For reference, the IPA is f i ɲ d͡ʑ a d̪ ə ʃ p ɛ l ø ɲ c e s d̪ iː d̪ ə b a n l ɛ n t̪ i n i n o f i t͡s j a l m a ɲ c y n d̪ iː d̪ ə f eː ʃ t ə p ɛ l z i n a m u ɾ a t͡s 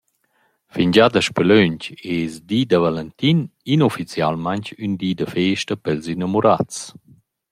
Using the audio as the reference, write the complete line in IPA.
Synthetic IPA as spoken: f i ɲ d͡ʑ a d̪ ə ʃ p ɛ l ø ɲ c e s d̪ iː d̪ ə v a l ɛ n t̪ i n i n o f i t͡s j a l m a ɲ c y n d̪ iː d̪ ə f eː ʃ t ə p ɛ l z i n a m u ɾ a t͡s